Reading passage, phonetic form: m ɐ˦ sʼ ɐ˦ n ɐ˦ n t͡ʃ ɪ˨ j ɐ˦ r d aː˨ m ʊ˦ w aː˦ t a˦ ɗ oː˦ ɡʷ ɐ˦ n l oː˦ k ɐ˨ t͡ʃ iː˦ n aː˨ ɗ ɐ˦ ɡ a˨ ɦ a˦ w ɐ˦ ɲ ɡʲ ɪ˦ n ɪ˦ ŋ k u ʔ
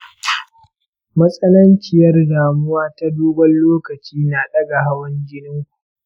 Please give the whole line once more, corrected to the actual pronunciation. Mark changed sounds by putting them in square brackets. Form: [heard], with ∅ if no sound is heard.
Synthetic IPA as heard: m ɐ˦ sʼ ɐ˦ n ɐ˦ n t͡ʃ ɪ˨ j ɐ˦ r d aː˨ m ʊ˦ w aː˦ t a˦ [d] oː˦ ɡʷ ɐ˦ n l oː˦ k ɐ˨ t͡ʃ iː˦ n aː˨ ɗ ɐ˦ ɡ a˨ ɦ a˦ w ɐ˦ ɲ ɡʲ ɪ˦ n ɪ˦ ŋ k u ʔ